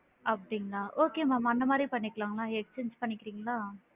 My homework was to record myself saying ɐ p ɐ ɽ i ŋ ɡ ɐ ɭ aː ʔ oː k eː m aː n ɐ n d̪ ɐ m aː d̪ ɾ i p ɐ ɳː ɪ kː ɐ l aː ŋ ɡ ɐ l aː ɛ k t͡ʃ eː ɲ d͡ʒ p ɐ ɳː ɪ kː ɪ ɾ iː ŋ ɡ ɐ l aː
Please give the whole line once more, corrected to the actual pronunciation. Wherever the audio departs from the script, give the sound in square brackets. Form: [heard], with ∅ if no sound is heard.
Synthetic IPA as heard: ɐ p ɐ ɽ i ŋ ɡ ɐ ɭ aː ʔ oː k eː m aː [m] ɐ n d̪ ɐ m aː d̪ ɾ i p ɐ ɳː ɪ kː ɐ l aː ŋ ɡ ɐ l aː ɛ k t͡ʃ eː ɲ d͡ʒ p ɐ ɳː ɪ kː ɪ ɾ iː ŋ ɡ ɐ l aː